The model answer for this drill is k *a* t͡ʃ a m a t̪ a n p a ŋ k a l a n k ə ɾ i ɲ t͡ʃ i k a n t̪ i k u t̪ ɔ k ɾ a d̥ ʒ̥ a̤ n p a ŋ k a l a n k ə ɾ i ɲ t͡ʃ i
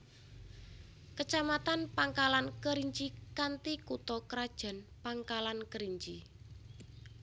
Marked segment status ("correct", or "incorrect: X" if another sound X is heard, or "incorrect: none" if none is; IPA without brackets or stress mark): incorrect: ə